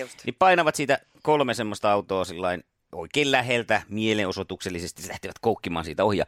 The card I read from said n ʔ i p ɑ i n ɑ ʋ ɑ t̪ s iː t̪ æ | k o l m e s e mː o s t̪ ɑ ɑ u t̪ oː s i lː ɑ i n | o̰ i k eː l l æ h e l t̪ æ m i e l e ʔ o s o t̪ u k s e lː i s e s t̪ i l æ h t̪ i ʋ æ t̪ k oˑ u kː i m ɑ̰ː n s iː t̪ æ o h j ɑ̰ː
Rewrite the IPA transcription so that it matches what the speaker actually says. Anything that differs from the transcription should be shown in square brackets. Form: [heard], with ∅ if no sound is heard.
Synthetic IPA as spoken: n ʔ i p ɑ i n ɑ ʋ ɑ t̪ s iː t̪ æ | k o l m e s e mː o s t̪ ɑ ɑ u t̪ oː s i lː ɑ i n | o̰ i k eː l l æ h e l t̪ æ m i e l e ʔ o s o t̪ u k s e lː i s e s t̪ i l æ h t̪ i ʋ æ t̪ k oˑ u kː i m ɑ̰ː n s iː t̪ æ o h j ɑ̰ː